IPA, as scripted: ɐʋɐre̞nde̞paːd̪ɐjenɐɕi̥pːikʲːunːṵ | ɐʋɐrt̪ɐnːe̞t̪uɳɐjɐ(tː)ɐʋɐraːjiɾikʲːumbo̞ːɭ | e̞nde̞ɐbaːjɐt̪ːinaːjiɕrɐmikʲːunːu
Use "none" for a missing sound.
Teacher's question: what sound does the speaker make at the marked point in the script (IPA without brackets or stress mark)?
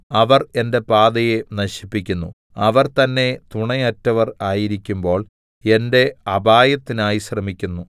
tː